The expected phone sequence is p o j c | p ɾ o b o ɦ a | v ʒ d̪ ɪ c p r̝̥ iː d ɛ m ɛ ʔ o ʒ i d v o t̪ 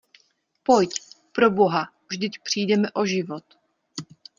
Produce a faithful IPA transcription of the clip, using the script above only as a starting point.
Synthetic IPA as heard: p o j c | p ɾ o b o ɦ a | v ʒ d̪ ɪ c p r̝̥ iː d ɛ m ɛ ʔ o ʒ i v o t̪